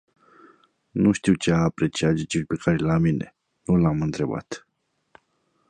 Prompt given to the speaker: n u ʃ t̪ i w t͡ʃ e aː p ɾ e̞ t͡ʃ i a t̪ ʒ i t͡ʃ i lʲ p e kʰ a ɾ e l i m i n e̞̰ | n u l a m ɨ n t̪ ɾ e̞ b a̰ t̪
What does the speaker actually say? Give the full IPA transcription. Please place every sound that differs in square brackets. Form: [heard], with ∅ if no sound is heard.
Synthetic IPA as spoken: n u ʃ t̪ i w t͡ʃ e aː p ɾ e̞ t͡ʃ i a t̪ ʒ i t͡ʃ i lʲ p e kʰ a ɾ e l [a] m i n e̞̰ | n u l a m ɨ n t̪ ɾ e̞ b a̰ t̪